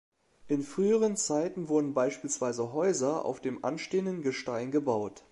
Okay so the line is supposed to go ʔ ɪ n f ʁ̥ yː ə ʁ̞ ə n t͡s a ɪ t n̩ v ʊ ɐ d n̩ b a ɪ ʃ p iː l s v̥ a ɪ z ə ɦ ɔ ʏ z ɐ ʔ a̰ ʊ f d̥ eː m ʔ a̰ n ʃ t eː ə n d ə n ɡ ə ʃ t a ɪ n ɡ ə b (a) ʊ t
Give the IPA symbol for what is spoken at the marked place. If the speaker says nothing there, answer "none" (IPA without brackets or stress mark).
a